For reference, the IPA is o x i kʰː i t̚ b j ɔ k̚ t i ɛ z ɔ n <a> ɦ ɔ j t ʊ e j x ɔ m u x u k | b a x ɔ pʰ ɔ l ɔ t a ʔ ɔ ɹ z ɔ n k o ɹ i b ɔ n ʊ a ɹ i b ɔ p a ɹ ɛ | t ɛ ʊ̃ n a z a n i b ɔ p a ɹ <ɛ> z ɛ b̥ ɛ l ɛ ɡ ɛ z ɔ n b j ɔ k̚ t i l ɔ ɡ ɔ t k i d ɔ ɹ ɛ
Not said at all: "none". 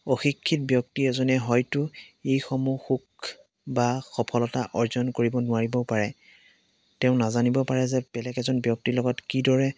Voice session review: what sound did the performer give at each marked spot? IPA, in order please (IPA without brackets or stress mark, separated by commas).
ɛ, ɛ